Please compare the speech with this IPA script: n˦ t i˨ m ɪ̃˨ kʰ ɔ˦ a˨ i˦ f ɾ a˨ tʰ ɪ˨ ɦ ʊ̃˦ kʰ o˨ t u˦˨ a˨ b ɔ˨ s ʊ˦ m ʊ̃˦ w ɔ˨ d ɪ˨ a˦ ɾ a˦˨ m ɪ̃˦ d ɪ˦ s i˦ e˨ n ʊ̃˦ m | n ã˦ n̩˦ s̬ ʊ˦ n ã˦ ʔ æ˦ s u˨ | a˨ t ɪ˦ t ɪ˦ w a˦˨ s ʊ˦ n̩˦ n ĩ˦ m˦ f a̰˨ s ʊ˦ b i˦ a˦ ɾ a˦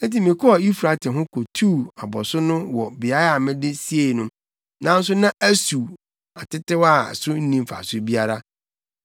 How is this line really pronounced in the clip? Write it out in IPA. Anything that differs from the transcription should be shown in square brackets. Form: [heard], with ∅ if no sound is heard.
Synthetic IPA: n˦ t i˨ m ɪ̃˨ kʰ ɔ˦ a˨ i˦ f ɾ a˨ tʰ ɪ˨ ɦ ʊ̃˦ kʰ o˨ [tʰ] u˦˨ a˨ b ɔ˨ s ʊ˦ [n] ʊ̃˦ w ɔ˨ [b] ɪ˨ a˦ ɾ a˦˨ m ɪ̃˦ d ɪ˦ s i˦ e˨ n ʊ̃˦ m | n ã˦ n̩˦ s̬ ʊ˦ n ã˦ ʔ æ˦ s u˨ | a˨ t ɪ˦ t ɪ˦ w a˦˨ s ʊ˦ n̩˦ n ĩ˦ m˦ f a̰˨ s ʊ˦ b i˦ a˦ ɾ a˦